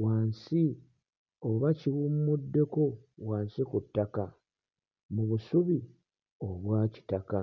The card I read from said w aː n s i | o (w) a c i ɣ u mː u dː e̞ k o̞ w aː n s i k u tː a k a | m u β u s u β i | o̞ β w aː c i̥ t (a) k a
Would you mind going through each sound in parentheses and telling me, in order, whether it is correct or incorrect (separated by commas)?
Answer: incorrect, correct